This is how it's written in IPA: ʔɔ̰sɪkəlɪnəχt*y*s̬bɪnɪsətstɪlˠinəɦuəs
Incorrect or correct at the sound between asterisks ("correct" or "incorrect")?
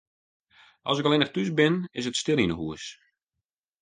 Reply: correct